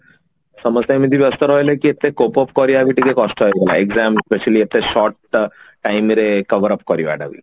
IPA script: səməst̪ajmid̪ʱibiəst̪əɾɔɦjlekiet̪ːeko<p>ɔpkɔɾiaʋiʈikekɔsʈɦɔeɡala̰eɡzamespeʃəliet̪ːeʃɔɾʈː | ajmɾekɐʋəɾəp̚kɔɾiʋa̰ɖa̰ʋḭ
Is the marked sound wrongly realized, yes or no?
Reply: no